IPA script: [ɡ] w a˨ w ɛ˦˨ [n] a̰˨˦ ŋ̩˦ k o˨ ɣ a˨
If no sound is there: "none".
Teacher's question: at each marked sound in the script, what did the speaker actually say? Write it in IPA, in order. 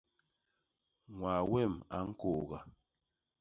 ŋ, m

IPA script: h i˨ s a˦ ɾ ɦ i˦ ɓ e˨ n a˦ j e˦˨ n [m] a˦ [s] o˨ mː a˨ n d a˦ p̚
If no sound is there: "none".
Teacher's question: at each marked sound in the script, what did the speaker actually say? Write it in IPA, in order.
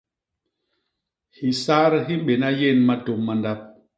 m, t

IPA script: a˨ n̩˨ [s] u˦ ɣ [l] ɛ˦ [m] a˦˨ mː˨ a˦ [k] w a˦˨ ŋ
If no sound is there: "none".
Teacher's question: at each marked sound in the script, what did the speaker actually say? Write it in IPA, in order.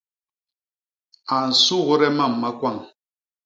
s, ɾ, m, k

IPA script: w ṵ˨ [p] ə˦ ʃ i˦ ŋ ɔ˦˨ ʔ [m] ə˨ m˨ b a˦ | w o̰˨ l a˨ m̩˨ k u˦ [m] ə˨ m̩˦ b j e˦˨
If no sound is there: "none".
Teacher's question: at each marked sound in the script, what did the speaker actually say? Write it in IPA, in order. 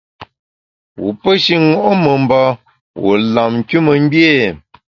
p, m, m

